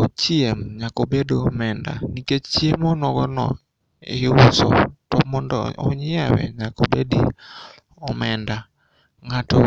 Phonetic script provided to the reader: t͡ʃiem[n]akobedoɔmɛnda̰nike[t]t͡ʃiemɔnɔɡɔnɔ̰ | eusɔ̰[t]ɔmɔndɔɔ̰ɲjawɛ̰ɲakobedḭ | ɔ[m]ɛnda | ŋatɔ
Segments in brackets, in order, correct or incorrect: incorrect, incorrect, correct, correct

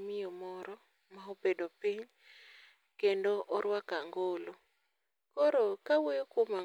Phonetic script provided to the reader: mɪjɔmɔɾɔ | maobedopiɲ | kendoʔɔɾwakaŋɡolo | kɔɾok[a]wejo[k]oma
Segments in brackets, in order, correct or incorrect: correct, correct

